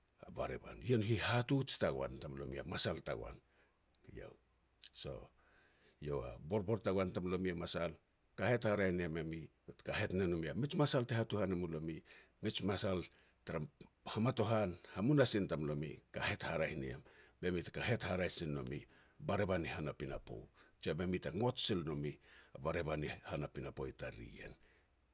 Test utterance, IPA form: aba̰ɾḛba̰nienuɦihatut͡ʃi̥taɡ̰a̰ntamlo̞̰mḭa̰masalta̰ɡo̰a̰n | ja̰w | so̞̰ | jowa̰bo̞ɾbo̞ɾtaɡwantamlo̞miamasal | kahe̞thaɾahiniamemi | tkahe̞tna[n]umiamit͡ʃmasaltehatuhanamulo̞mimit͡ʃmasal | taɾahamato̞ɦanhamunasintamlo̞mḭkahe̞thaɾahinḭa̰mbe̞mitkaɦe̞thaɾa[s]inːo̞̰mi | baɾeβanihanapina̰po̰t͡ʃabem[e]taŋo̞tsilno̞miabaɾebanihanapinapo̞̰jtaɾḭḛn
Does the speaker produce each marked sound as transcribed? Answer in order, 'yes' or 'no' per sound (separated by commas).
yes, yes, no